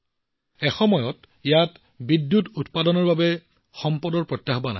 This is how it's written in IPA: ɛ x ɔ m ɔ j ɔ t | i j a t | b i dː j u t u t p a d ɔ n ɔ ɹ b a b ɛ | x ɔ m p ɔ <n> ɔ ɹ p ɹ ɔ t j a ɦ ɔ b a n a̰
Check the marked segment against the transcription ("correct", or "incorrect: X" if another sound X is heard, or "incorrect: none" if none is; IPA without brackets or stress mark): incorrect: d